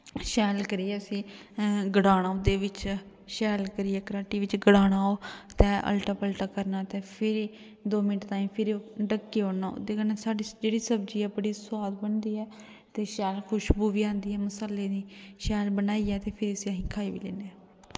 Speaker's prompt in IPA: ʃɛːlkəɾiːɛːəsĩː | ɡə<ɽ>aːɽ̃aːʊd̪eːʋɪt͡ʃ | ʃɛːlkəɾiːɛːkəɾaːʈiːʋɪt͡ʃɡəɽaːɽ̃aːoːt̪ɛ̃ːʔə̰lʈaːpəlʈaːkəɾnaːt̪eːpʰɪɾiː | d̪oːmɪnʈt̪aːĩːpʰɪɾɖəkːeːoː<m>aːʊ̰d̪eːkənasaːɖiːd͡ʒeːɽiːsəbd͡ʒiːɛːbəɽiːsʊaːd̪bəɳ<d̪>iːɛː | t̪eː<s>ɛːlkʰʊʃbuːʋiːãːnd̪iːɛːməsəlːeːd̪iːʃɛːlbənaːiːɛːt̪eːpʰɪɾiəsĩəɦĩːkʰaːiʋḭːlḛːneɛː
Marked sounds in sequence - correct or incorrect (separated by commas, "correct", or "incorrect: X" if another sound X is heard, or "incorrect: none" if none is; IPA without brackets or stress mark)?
correct, incorrect: n, correct, incorrect: ʃ